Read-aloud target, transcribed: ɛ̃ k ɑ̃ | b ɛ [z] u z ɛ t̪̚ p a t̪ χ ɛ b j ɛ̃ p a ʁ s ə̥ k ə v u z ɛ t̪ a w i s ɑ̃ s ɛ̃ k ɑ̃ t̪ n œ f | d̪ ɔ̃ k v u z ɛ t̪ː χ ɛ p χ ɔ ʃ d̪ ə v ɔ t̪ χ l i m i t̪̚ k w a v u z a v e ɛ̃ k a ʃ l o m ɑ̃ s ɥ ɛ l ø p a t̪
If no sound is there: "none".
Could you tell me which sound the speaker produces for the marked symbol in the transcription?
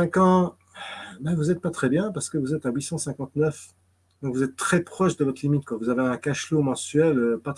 v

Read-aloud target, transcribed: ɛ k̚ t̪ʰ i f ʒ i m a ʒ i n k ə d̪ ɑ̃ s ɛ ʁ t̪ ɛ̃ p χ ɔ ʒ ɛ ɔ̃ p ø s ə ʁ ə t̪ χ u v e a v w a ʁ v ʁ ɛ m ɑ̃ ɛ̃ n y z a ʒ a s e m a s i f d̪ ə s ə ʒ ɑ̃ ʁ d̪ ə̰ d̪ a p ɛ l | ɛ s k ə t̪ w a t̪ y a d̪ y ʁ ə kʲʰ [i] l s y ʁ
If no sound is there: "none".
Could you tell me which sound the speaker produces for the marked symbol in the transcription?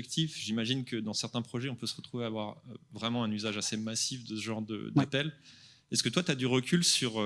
y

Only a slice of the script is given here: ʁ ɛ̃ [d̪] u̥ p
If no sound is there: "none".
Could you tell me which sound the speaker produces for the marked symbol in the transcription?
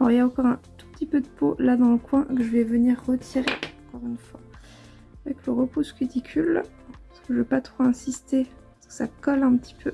t̪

